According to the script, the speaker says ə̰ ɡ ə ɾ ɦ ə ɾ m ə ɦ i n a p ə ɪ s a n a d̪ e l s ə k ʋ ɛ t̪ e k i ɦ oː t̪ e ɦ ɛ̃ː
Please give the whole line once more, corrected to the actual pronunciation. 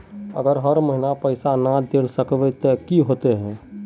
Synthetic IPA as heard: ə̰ ɡ ə ɾ ɦ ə ɾ m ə ɦ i n a p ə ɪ s a n a d̪ e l s ə k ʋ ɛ t̪ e k i ɦ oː t̪ e ɦ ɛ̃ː